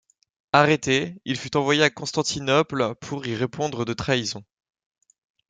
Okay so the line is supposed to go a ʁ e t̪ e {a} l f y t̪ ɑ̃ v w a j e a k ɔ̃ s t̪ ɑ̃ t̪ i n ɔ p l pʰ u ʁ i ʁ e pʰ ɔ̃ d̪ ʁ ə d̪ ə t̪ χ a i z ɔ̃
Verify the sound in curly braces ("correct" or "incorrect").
incorrect